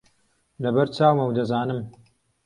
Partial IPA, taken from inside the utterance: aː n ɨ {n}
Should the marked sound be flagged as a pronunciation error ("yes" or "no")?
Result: yes